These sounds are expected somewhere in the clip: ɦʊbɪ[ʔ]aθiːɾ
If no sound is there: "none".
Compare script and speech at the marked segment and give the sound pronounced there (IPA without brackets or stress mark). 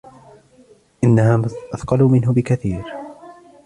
k